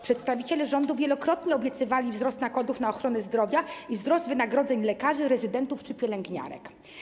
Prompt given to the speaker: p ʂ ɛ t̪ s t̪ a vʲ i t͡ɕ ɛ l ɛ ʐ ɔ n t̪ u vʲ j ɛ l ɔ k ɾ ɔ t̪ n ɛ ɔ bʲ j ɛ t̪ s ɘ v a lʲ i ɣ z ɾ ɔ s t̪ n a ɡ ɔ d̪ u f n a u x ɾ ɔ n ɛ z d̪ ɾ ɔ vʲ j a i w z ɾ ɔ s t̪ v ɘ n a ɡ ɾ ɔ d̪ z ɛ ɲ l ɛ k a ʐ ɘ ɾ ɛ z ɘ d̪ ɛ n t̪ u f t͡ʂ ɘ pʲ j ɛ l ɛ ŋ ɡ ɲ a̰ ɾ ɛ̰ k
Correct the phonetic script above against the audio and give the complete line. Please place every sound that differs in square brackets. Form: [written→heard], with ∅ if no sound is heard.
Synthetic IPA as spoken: p ʂ ɛ t̪ s t̪ a vʲ i t͡ɕ ɛ l ɛ ʐ ɔ n [t̪→d̪] u vʲ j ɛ l ɔ k ɾ ɔ t̪ [n→ɲ] ɛ ɔ bʲ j ɛ t̪ s ɘ v a lʲ i [ɣ→v] z ɾ ɔ s t̪ n a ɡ ɔ d̪ u f n a [u→ɔ] x ɾ ɔ n ɛ z d̪ ɾ ɔ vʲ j a i [w→v] z ɾ ɔ s t̪ v ɘ n a ɡ ɾ ɔ d̪ z ɛ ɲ l ɛ k a ʐ ɘ ɾ ɛ z ɘ d̪ ɛ n t̪ u f t͡ʂ ɘ pʲ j ɛ l ɛ ŋ ɡ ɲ a̰ ɾ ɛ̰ k